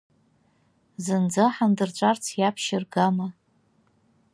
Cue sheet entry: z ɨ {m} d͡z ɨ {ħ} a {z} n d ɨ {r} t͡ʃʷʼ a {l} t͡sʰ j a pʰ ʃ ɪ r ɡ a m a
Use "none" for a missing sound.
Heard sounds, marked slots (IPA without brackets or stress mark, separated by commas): n, ħ, none, r, r